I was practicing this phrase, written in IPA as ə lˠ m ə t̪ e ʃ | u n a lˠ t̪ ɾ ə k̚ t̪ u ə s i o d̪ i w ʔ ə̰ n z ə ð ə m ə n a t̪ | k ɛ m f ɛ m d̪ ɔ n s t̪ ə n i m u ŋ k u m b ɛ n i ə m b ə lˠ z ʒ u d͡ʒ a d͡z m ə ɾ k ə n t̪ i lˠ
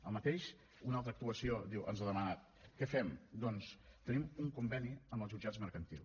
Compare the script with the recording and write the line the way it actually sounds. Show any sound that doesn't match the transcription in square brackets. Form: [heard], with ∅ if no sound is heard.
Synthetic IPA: ə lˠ m ə t̪ e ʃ | u n a lˠ t̪ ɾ ə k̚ t̪ u ə s i o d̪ i w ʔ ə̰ n z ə ð ə m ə n a t̪ | k ɛ [∅] f ɛ m d̪ ɔ n s t̪ ə n i m u ŋ k u m b ɛ n i ə m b ə lˠ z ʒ u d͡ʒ a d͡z m ə ɾ k ə n t̪ i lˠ

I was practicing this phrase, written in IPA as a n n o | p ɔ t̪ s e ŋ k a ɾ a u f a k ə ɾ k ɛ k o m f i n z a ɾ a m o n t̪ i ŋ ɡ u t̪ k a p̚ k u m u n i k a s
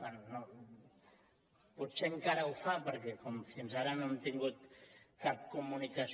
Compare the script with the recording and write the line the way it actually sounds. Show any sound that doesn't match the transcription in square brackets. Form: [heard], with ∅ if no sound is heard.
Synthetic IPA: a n n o | p [u] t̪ s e ŋ k a ɾ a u f a [p] ə ɾ k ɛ k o m f i n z a ɾ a [n] o n t̪ i ŋ ɡ u t̪ k a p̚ k u m u n i k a s

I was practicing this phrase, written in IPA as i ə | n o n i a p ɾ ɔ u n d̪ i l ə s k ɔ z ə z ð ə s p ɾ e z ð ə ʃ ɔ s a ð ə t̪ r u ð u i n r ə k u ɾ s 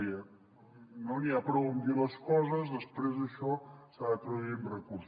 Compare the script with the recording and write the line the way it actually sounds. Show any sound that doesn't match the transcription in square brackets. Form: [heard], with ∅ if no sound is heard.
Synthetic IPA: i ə | n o n i a p ɾ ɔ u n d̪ i l ə s k ɔ z ə z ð ə s p ɾ e z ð ə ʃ ɔ s a ð ə t̪ [ɾ] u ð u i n r ə k u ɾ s

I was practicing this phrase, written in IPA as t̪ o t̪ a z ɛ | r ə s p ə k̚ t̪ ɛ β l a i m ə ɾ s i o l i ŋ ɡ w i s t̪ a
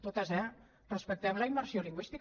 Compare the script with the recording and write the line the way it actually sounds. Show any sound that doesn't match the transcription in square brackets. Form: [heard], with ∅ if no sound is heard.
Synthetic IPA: t̪ o t̪ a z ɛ | r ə s p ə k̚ t̪ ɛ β l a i m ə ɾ s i o l i ŋ ɡ w i s t̪ [i]

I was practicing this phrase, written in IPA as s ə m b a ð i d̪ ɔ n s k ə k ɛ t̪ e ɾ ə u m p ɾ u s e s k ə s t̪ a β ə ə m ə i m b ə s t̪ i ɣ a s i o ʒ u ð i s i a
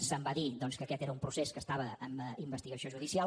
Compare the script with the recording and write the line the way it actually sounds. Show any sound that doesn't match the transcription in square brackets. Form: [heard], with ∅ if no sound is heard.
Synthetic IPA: s ə m b a ð i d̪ ɔ n s k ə k ɛ t̪ e ɾ ə u m p ɾ u s e s k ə s t̪ a β ə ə m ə i m b ə s t̪ i ɣ [ə] s i o ʒ u ð i s i a

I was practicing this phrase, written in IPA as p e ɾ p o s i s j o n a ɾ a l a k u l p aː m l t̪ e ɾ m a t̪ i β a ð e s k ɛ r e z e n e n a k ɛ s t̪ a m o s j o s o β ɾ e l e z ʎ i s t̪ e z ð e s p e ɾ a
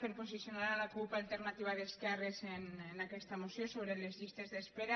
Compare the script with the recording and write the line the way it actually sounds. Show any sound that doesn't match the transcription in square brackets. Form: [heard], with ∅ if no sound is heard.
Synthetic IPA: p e ɾ p o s i s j o n a ɾ a l a k u l p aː [∅] l t̪ e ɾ [n] a t̪ i β a ð e s k ɛ r e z e n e n a k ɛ s t̪ a m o s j o s o β ɾ e l e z ʎ i s t̪ e z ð e s p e ɾ a

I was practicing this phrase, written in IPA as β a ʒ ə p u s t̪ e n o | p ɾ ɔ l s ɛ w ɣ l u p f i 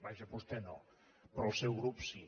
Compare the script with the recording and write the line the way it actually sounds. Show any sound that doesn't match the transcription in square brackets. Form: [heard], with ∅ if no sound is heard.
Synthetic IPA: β a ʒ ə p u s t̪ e n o | p ɾ ɔ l s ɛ w ɣ [ɾ] u p [s] i

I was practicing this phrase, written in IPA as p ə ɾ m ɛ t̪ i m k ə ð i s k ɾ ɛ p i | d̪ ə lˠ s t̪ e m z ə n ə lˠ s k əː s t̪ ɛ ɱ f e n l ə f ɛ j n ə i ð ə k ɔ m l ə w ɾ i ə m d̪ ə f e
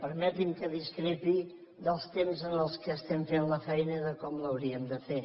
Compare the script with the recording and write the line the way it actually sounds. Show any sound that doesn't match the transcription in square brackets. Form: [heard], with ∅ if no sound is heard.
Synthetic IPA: p ə ɾ m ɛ t̪ i m k ə ð i s k ɾ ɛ p i | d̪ ə lˠ s t̪ e m z ə n ə lˠ s k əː s t̪ ɛ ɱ f e n l ə f ɛ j n ə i ð ə k ɔ m l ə w ɾ i ə m d̪ ə f e

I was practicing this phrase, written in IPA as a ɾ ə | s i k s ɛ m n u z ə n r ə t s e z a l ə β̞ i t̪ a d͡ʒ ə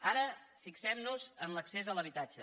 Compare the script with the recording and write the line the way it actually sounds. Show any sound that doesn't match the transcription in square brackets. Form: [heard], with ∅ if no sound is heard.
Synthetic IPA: a ɾ ə | [f] i k s ɛ m n u z ə n [l] ə [k] s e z [ə] l ə β̞ i t̪ a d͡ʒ ə

